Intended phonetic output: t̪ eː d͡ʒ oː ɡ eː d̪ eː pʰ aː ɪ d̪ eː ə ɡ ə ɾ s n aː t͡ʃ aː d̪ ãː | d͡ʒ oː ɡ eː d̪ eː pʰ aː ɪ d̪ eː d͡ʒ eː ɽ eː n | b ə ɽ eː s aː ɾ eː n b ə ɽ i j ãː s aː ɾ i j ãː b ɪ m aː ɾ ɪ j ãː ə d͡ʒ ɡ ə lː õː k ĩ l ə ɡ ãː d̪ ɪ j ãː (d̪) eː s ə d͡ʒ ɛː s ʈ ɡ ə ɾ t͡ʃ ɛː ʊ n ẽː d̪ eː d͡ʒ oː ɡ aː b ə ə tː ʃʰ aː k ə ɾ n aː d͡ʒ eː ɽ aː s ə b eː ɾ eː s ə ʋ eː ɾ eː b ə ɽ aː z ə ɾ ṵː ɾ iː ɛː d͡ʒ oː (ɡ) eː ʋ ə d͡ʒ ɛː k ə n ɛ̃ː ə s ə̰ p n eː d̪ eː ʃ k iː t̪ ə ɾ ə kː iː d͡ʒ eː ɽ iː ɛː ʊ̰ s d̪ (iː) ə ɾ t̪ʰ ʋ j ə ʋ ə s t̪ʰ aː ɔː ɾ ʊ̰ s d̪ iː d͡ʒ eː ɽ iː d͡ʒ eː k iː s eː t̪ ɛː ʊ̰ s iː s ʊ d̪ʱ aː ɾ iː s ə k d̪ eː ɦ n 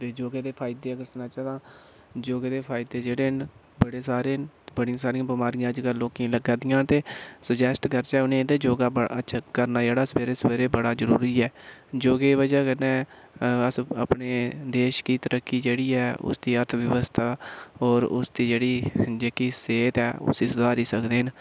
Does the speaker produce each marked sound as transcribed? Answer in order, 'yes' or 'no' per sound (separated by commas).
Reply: no, yes, yes